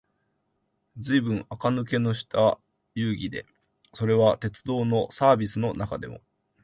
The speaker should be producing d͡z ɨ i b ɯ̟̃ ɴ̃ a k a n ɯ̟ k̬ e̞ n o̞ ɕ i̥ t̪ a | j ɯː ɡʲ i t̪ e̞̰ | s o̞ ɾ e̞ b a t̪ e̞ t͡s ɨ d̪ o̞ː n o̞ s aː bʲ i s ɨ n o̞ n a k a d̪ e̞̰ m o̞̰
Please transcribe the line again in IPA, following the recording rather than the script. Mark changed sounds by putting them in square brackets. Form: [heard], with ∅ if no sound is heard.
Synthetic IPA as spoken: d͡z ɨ i b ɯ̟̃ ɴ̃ a k a n ɯ̟ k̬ e̞ n o̞ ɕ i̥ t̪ a | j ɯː ɡʲ i [d̪] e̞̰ | s o̞ ɾ e̞ [β] a t̪ e̞ t͡s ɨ d̪ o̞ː n o̞ s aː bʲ i s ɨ n o̞ n a k a d̪ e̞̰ m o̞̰